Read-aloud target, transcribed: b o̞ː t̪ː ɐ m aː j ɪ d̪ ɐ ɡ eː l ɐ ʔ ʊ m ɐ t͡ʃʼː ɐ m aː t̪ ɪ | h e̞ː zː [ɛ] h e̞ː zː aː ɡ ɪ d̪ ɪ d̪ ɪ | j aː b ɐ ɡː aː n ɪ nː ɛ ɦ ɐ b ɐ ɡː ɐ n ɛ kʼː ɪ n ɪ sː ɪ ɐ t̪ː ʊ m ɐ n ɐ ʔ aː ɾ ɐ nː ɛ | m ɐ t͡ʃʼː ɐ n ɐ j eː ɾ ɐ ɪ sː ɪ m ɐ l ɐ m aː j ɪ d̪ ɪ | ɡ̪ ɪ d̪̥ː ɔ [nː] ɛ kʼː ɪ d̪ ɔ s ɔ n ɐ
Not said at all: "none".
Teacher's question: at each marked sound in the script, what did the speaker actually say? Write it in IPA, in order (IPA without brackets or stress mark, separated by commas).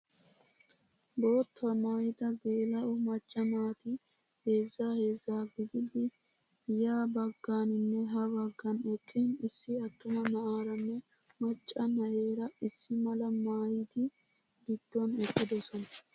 a, n